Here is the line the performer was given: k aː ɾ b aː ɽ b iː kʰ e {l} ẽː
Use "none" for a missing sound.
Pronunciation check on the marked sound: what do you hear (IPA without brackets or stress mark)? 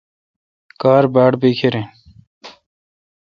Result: ɾ